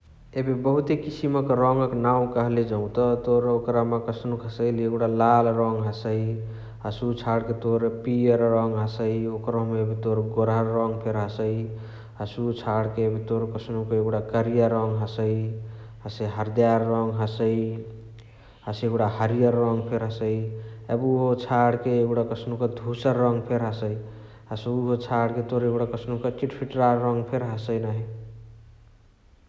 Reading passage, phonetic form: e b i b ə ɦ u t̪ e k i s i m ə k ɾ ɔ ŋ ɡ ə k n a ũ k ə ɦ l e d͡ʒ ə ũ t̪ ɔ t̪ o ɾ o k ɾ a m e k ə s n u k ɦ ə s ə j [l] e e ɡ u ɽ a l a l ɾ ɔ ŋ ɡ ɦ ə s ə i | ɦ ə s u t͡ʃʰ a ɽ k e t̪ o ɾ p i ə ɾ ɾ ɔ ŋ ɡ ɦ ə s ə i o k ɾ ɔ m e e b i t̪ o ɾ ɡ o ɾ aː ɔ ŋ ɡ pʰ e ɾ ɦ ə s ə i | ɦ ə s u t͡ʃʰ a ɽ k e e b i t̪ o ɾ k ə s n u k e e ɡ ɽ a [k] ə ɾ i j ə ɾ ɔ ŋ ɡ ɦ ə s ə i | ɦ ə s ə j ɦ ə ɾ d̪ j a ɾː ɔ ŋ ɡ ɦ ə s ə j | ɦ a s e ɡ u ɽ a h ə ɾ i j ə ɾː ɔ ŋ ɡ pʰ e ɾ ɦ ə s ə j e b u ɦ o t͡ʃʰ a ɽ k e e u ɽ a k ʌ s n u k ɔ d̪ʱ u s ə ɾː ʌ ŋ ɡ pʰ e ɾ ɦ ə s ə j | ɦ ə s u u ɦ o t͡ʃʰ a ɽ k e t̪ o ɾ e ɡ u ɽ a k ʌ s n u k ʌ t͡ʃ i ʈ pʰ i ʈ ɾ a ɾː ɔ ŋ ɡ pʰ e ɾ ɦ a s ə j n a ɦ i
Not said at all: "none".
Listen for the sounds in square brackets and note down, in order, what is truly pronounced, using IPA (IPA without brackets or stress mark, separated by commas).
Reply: l, k